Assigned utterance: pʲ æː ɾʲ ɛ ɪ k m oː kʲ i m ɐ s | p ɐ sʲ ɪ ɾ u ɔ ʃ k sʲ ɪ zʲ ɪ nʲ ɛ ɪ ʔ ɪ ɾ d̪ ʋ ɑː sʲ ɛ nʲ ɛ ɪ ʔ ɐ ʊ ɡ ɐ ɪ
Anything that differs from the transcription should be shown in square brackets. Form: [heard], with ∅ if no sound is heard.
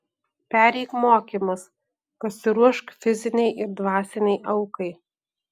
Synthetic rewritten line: pʲ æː ɾʲ ɛ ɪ k m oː kʲ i m ɐ s | p ɐ sʲ ɪ ɾ u ɔ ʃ k [fʲ] ɪ zʲ ɪ nʲ ɛ ɪ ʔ ɪ ɾ d̪ ʋ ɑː sʲ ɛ nʲ ɛ ɪ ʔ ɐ ʊ [k] ɐ ɪ